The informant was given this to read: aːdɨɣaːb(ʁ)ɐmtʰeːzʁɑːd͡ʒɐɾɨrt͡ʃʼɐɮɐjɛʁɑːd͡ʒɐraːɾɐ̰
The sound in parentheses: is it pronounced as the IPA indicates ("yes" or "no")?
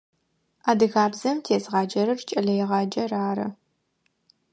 no